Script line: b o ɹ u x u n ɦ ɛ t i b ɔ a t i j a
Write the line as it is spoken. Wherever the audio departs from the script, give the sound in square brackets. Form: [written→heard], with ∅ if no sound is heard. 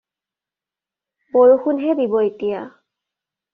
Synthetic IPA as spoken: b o ɹ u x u n ɦ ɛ [t→d] i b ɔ [a→e] t i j a

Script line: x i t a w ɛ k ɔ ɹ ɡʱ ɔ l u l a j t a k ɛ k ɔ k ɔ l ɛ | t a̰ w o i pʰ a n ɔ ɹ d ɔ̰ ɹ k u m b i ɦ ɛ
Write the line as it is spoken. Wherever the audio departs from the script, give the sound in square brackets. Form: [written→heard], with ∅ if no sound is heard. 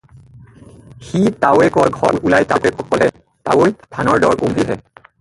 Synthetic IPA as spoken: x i t a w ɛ k ɔ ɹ ɡʱ ɔ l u l a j t a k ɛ k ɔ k ɔ l ɛ | t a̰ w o [i→j] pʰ a n ɔ ɹ d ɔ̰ ɹ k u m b i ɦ ɛ

